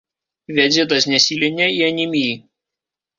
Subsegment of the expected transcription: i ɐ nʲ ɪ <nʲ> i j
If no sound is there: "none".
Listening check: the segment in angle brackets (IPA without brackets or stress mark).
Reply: mʲ